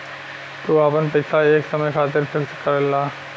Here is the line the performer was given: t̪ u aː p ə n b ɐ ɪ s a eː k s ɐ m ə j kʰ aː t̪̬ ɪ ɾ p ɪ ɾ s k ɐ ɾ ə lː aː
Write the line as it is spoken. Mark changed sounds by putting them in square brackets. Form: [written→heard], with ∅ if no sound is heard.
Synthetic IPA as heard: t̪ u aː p ə n [b→p] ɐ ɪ s a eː k s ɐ m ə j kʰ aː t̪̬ ɪ ɾ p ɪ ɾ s k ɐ ɾ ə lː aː